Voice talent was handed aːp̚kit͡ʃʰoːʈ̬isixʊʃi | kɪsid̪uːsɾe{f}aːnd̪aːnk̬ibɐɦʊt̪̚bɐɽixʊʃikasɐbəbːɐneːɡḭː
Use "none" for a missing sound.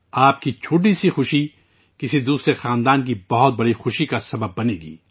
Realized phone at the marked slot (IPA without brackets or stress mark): x